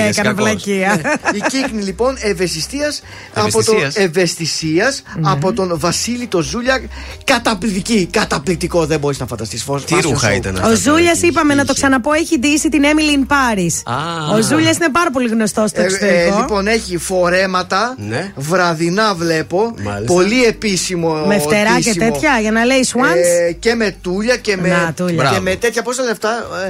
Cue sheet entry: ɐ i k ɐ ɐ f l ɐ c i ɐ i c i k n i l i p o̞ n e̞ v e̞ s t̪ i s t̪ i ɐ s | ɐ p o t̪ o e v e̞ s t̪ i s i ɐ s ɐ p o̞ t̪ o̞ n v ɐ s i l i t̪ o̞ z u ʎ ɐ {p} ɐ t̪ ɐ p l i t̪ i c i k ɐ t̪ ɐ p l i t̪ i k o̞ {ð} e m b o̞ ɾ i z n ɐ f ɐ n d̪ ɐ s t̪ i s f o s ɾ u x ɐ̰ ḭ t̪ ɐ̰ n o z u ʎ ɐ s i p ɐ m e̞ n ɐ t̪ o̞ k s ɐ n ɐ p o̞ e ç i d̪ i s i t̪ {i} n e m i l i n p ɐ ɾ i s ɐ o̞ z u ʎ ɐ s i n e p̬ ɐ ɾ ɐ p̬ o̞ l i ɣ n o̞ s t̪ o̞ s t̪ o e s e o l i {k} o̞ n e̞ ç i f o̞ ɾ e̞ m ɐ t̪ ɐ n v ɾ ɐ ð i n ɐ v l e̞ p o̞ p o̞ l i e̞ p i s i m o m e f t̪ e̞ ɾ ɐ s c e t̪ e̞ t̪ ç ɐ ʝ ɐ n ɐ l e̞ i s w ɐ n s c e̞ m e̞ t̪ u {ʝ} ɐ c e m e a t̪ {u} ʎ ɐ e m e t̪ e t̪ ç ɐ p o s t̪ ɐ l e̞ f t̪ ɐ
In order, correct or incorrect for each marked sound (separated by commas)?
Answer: incorrect, correct, correct, incorrect, incorrect, correct